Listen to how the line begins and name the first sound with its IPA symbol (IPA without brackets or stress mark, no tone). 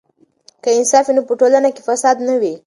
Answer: k